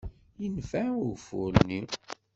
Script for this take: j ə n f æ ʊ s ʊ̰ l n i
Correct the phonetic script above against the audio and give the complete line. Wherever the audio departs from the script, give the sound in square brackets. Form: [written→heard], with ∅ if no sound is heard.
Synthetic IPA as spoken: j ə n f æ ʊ [s→f] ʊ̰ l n i